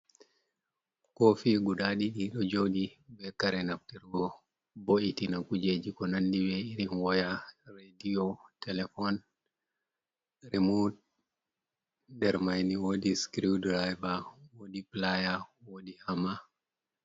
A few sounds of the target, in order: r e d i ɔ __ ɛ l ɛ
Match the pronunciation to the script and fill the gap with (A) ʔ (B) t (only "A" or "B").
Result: B